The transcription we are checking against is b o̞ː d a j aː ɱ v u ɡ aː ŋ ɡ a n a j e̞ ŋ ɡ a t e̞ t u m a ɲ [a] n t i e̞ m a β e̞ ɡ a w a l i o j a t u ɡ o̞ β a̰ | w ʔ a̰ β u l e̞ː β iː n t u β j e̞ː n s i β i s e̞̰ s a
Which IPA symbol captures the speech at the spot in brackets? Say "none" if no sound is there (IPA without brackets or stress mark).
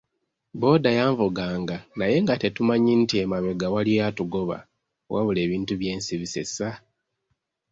i